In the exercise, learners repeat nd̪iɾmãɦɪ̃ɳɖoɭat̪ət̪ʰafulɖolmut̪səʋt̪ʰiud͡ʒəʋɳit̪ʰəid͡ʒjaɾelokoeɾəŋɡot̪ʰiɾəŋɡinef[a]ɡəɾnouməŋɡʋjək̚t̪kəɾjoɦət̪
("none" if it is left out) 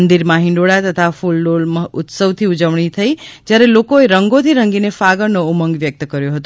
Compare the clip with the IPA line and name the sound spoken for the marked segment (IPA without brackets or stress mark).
a